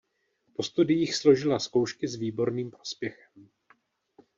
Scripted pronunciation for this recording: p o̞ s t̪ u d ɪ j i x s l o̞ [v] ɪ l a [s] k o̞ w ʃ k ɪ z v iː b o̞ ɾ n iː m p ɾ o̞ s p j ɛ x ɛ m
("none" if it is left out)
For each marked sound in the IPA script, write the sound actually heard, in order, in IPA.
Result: ʒ, s

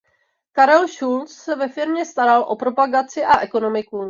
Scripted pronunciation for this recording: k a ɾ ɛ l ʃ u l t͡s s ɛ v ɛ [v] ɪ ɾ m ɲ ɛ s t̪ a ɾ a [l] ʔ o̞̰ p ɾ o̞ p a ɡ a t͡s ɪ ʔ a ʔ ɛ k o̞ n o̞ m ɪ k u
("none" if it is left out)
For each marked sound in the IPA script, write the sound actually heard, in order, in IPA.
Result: f, l

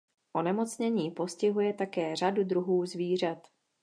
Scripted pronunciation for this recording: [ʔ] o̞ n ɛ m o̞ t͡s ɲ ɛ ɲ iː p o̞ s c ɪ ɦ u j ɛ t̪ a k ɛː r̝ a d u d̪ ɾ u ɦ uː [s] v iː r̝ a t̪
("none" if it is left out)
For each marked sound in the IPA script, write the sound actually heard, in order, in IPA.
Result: ʔ, z

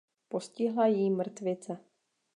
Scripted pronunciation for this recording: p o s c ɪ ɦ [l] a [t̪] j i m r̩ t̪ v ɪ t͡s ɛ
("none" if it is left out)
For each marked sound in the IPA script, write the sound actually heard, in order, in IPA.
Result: l, none

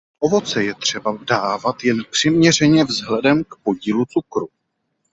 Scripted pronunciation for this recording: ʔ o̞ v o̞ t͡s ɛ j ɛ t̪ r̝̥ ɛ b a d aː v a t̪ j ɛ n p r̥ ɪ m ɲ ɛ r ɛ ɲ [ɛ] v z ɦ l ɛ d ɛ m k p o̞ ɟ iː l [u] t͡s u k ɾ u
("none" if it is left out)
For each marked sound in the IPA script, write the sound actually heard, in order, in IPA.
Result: ɛ, u

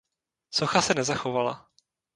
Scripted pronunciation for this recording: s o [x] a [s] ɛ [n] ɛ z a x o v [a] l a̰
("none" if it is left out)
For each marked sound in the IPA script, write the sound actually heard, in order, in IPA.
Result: x, s, n, a

